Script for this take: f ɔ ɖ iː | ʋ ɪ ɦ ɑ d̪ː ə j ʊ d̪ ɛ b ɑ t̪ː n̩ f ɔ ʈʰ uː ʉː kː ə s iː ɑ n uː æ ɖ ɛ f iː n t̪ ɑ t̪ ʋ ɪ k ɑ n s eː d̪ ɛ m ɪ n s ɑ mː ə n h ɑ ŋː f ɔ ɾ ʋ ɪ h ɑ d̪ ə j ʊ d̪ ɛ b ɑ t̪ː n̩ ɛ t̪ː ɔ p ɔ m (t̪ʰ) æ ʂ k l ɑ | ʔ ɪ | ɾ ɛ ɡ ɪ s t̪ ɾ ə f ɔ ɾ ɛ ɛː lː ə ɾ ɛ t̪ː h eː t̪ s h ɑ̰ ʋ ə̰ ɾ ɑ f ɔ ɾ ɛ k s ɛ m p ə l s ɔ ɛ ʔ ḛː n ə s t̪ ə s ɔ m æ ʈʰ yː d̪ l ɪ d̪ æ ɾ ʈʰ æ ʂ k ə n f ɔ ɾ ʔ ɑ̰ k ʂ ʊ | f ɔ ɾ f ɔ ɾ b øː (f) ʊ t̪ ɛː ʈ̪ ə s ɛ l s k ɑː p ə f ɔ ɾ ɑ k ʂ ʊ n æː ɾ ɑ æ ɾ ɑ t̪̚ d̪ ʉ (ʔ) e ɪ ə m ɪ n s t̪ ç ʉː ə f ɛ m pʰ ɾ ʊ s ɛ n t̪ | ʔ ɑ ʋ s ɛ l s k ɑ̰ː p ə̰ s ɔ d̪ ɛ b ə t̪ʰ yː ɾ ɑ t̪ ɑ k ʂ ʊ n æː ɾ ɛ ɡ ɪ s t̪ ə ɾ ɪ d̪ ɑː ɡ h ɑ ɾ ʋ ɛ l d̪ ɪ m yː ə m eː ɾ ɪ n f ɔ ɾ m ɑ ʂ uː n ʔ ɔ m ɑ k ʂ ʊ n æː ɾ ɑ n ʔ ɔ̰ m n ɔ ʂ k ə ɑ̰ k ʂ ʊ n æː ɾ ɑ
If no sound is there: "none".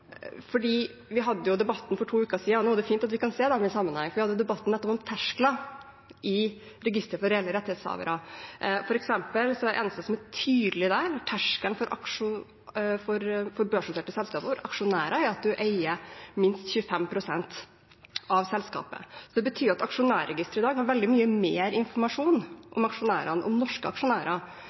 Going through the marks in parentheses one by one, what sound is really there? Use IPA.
t̪ʰ, ʂ, ʔ

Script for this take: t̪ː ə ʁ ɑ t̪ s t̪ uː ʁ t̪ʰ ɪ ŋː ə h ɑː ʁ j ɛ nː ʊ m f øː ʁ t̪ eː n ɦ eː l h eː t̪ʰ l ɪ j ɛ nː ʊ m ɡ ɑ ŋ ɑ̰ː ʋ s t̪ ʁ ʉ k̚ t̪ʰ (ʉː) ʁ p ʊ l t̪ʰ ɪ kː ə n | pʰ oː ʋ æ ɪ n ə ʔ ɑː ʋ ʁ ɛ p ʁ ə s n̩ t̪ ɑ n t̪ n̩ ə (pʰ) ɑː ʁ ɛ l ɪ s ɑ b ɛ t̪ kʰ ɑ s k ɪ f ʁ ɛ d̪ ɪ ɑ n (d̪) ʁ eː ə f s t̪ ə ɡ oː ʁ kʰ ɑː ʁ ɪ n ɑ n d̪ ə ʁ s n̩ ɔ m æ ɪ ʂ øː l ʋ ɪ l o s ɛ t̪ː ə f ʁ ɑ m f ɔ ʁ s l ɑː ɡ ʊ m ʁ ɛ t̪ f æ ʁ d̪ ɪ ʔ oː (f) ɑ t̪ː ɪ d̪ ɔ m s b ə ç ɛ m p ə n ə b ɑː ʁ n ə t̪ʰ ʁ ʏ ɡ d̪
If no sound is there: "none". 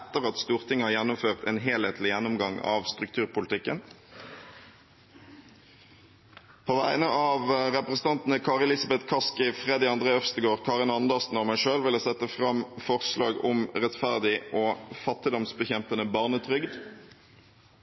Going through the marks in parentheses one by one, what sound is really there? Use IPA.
ʉː, kʰ, d̪, f

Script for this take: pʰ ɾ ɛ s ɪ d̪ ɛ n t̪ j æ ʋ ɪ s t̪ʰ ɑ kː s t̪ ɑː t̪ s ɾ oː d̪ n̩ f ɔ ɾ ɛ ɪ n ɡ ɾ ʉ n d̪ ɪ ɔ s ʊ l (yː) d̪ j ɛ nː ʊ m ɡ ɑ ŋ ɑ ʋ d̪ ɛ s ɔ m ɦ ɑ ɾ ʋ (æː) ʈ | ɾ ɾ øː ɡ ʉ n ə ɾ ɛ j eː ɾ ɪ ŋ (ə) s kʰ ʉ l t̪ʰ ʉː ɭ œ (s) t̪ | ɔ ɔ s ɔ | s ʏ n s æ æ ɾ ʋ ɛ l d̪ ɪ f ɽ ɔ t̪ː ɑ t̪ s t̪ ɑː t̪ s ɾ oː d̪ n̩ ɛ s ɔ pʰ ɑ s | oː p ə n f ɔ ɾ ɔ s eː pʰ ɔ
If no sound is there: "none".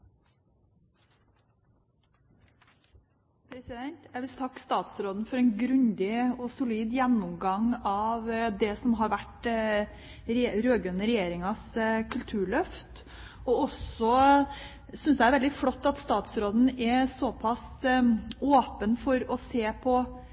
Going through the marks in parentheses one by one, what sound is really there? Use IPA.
iː, æ, ɑ, f

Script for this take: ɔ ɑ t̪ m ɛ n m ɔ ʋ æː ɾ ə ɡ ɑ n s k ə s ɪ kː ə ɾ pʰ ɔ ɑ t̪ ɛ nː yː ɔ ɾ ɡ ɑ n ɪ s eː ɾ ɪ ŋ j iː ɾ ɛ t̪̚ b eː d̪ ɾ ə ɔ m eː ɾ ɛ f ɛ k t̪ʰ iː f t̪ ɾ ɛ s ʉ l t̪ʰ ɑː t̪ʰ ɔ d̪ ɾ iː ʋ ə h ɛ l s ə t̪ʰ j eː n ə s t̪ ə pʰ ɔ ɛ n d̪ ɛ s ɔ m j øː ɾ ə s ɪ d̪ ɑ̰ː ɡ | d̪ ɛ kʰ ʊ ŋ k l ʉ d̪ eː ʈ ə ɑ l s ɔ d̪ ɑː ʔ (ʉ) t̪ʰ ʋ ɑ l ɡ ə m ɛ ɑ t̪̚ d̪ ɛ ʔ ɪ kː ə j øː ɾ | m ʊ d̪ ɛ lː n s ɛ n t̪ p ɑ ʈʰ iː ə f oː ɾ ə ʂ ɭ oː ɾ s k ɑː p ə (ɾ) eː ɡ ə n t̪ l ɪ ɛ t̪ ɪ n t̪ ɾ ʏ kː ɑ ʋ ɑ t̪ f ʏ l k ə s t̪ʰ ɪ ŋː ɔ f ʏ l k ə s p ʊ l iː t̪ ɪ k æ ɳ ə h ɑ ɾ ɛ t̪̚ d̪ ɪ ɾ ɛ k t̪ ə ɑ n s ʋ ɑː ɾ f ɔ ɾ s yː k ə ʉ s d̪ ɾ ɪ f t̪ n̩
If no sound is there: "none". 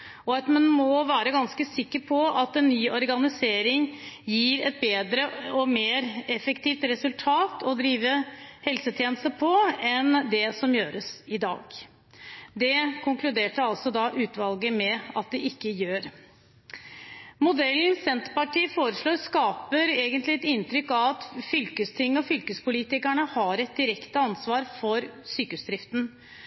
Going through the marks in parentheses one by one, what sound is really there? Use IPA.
ʉː, ɾ

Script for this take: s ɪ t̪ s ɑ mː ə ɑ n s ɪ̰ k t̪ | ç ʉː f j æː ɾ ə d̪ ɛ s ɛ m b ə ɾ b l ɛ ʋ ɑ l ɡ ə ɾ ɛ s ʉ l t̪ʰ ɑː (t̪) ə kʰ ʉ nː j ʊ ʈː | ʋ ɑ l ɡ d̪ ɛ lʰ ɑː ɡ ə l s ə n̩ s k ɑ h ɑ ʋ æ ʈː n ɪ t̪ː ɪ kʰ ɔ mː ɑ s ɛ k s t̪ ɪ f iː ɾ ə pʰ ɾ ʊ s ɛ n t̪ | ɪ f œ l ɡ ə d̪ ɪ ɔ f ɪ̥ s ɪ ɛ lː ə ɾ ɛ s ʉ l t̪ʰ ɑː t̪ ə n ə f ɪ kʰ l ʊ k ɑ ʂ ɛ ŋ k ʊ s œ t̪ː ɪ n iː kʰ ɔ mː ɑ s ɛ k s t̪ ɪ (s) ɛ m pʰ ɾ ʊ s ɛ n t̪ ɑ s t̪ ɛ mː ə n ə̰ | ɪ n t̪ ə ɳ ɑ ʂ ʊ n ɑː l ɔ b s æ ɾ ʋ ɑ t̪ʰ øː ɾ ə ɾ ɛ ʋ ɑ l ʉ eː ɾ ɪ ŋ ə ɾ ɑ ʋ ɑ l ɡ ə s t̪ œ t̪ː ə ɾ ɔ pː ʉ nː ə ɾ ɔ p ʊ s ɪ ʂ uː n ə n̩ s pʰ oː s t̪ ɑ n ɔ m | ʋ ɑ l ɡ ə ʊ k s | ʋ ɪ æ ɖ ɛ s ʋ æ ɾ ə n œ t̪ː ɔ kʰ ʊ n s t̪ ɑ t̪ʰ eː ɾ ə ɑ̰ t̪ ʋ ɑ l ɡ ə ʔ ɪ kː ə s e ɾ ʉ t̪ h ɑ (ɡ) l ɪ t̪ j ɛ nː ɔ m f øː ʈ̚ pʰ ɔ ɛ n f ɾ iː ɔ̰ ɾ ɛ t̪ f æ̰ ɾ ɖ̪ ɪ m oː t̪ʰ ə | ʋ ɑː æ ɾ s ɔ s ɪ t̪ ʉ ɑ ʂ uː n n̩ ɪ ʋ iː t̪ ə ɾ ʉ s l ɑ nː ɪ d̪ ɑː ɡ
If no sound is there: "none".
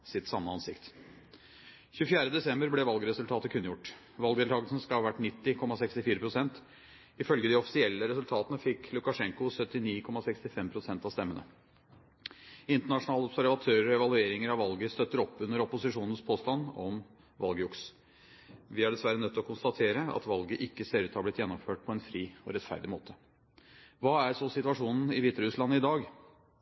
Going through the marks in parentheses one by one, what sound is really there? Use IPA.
t̪, f, b

